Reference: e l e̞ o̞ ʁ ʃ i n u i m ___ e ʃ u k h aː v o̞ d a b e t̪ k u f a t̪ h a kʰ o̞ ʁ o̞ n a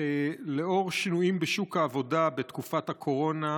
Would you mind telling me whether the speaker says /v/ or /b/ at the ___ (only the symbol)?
b